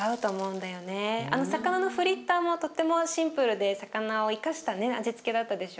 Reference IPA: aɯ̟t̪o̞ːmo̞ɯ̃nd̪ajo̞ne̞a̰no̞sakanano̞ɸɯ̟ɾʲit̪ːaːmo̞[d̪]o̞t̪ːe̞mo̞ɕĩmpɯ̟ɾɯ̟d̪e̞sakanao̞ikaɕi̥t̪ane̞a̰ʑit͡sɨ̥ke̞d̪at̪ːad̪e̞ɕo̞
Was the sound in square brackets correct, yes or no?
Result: no